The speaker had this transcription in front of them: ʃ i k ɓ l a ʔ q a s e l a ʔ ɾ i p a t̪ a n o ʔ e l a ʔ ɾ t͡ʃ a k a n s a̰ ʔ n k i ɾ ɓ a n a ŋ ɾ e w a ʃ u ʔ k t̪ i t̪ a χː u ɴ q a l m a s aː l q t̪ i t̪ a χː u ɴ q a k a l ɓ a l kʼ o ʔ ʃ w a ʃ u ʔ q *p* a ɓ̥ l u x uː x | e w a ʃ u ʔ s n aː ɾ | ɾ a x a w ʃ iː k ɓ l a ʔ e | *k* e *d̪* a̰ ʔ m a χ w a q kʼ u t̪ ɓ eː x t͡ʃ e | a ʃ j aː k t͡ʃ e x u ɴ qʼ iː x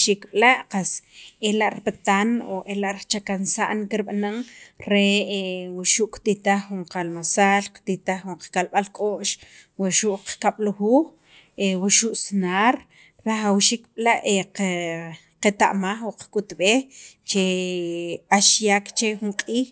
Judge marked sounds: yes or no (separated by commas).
no, no, no